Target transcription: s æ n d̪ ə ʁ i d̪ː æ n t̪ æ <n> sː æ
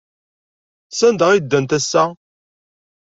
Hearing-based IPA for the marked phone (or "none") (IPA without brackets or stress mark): none